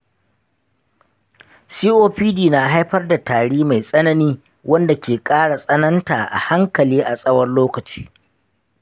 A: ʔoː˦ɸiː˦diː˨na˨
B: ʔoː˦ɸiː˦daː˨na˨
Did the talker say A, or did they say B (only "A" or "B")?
A